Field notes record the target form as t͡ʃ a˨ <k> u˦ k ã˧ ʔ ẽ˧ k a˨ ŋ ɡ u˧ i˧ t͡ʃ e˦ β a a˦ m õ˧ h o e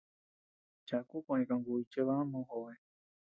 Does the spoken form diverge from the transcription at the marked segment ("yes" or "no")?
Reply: no